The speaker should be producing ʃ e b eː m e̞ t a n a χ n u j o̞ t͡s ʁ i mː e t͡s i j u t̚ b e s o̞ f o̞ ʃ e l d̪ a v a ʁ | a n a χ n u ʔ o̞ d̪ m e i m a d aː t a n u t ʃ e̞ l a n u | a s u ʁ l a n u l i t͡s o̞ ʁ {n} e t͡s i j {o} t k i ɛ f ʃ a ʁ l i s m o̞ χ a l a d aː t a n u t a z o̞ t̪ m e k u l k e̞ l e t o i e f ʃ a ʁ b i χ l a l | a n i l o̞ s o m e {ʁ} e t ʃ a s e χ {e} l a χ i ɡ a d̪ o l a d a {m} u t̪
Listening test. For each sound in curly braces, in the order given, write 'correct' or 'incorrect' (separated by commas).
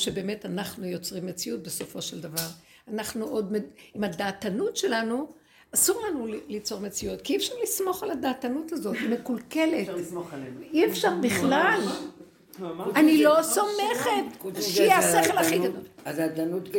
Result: incorrect, incorrect, incorrect, correct, incorrect